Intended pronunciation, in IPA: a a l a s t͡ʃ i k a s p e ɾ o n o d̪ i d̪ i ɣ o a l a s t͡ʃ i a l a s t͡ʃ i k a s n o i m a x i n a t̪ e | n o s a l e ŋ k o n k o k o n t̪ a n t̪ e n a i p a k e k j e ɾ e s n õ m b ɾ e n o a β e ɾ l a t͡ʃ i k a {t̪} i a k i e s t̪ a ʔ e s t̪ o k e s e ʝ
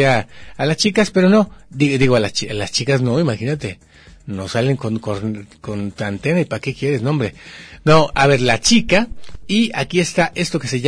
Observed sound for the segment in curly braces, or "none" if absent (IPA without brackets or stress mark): none